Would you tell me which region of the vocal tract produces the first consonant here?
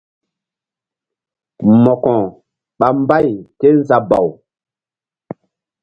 lips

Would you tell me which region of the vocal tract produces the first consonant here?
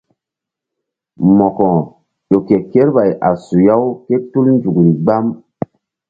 lips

